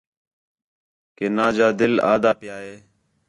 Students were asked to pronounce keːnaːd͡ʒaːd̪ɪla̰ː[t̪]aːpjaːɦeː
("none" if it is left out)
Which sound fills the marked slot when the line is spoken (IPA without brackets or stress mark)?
d̪